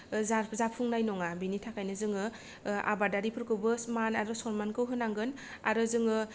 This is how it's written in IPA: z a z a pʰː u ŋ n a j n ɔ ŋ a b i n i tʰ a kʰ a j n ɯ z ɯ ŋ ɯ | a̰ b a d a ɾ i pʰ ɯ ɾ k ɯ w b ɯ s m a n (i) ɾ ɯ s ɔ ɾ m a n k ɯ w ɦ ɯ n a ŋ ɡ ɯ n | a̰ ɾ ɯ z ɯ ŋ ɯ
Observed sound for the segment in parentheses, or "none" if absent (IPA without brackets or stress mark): a